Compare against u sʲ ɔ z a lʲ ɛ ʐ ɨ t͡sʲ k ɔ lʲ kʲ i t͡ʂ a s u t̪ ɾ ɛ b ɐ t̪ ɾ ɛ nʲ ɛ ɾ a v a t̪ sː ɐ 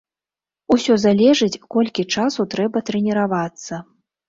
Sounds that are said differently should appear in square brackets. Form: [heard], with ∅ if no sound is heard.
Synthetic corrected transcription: u sʲ ɔ z a lʲ ɛ ʐ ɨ t͡sʲ k ɔ lʲ kʲ i t͡ʂ a s u t̪ ɾ ɛ b ɐ t̪ ɾ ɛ nʲ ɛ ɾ a v a t̪ sː ɐ